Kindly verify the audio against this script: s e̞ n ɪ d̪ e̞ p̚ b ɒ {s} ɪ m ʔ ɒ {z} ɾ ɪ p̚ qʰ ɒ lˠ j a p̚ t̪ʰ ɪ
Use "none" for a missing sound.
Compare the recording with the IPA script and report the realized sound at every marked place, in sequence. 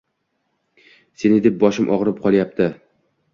ʃ, ʁ

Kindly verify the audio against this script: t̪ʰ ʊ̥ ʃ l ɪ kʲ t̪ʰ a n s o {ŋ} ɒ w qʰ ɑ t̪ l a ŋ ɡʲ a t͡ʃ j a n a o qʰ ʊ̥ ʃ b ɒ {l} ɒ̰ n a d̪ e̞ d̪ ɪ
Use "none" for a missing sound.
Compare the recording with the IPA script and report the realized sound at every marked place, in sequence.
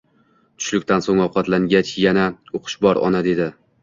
ŋ, ɾ

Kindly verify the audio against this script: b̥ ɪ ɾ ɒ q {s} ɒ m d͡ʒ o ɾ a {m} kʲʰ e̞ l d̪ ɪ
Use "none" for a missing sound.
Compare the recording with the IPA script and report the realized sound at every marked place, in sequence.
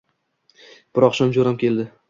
ʃ, m

